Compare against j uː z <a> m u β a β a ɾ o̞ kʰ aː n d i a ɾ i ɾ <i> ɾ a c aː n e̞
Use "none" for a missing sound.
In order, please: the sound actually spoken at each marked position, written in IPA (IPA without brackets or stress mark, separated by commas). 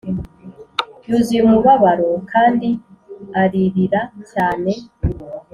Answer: i, i